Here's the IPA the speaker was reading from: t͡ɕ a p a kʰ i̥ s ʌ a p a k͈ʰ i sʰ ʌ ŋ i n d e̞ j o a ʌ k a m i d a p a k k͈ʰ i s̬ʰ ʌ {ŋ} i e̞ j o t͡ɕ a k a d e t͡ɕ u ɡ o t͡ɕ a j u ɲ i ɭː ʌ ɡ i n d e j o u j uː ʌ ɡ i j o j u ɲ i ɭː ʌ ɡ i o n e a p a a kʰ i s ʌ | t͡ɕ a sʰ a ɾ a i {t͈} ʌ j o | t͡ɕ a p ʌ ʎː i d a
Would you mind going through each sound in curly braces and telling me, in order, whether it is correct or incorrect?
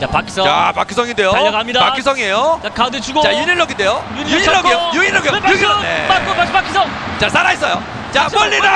correct, incorrect: s͈

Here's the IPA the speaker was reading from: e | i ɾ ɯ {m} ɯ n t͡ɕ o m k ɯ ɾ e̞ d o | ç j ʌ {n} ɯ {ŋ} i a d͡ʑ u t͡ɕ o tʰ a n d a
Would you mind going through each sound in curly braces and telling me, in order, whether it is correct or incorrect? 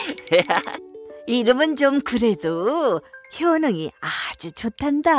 correct, correct, correct

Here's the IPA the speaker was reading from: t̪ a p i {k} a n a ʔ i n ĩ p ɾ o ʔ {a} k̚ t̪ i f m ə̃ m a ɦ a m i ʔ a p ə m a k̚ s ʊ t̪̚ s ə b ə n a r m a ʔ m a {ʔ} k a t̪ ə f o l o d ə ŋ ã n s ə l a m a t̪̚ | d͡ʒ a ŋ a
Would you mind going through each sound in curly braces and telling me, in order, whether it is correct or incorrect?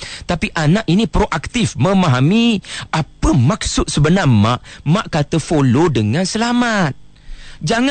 incorrect: ʔ, correct, correct

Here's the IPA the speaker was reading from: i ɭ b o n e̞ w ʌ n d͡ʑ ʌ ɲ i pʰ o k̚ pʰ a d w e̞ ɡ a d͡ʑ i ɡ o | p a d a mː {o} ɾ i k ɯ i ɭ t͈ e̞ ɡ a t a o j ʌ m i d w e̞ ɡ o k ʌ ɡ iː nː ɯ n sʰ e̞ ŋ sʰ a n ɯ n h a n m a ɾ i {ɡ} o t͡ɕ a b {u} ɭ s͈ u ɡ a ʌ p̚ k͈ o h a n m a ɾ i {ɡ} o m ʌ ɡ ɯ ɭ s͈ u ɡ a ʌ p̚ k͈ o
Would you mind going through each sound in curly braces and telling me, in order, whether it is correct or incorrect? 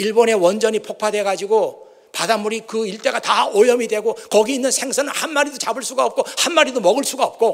incorrect: u, incorrect: d, incorrect: ɯ, incorrect: d

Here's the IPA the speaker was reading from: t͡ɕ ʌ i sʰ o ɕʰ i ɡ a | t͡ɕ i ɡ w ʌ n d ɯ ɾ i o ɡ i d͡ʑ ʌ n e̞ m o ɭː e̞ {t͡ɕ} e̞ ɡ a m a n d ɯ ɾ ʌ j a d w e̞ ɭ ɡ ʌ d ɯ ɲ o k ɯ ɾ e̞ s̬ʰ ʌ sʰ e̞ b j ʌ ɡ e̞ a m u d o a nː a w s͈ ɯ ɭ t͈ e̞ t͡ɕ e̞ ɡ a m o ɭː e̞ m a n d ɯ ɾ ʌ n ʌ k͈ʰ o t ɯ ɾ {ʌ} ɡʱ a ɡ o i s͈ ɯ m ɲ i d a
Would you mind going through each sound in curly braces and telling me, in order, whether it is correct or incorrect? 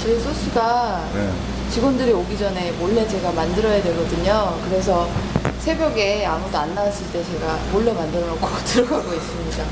correct, correct

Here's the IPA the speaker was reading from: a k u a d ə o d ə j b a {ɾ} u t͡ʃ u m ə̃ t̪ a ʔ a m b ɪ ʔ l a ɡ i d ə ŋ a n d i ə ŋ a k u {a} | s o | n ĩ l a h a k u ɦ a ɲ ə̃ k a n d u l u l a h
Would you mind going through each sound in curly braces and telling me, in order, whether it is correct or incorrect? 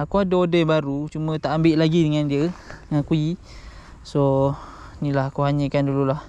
correct, incorrect: i

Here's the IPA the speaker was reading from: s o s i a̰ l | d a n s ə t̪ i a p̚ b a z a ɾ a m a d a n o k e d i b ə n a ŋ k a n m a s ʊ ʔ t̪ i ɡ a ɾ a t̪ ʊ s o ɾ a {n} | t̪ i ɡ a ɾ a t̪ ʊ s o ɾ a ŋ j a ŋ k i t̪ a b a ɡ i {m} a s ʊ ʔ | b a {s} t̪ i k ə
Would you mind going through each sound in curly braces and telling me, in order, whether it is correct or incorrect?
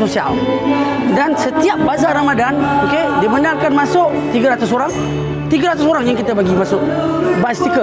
incorrect: ŋ, correct, correct

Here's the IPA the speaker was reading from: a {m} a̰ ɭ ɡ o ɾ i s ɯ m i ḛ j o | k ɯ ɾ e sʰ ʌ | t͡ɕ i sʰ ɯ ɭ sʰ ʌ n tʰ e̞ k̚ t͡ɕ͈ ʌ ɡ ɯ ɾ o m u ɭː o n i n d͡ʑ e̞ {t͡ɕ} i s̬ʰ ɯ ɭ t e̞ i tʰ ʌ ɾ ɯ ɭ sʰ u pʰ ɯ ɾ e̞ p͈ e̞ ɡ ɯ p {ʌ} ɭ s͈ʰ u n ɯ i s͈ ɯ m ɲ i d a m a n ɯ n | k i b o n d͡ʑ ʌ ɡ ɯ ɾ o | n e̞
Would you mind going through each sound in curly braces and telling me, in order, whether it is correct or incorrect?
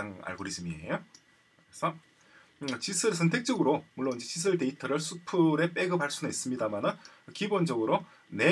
incorrect: ŋ, correct, incorrect: a

